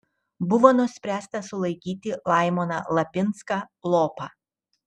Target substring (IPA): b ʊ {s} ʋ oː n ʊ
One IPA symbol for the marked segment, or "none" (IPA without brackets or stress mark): none